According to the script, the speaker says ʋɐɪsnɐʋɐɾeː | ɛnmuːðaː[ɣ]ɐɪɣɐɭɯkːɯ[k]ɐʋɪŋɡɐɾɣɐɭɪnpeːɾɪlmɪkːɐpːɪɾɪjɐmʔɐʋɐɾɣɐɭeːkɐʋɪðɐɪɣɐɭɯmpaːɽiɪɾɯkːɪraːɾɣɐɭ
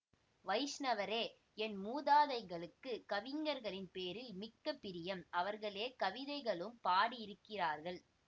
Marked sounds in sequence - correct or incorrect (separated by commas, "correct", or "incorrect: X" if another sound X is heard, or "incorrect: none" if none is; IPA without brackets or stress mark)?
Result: incorrect: ð, correct